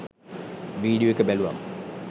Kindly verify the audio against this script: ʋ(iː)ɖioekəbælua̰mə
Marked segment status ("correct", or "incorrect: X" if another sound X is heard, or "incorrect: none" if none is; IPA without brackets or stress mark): correct